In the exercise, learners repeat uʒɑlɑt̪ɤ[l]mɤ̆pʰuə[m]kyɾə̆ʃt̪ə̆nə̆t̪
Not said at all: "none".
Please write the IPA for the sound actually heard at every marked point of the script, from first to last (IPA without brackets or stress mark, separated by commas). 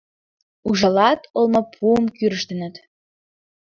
l, m